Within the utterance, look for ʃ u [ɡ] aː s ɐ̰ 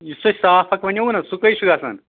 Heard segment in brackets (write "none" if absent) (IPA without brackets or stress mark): ɡ